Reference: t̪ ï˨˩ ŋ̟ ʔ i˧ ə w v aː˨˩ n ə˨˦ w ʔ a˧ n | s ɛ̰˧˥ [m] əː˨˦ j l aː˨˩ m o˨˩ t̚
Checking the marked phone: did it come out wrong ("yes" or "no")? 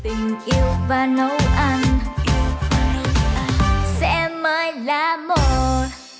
no